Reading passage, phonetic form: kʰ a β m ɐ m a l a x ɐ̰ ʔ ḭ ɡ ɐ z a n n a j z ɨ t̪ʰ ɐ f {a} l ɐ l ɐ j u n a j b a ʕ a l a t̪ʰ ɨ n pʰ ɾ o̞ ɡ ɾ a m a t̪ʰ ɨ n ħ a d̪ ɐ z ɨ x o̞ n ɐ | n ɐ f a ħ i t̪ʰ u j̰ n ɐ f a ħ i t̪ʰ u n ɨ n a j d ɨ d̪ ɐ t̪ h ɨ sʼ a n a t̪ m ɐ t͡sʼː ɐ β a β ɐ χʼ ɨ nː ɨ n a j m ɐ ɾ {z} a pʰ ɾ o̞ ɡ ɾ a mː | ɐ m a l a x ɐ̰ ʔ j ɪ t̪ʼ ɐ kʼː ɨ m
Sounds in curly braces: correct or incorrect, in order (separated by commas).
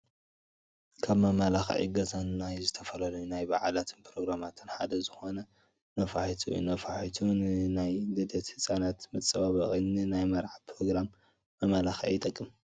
incorrect, incorrect